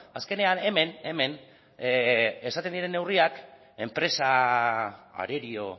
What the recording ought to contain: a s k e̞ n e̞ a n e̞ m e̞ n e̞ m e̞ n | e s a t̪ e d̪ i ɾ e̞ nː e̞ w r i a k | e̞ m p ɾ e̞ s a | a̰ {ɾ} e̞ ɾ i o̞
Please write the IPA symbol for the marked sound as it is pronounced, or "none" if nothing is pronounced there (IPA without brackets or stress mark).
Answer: ɾ